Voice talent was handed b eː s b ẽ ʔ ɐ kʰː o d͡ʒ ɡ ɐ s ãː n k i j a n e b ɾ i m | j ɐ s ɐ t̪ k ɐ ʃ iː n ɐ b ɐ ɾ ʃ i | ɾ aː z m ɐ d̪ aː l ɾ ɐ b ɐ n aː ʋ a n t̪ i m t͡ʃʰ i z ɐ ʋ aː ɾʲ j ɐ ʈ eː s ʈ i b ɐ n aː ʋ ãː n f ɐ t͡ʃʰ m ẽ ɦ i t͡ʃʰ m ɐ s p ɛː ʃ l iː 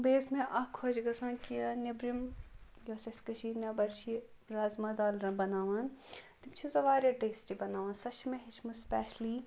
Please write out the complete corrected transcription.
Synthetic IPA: b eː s m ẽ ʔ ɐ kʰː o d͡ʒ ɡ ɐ s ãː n k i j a n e b ɾ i m | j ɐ s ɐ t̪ k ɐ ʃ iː n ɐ b ɐ ɾ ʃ i | ɾ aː z m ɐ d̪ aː l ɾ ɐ b ɐ n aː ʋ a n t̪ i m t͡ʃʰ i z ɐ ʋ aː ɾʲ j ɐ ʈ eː s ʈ i b ɐ n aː ʋ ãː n s ɐ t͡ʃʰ m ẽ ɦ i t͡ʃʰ m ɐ s p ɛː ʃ l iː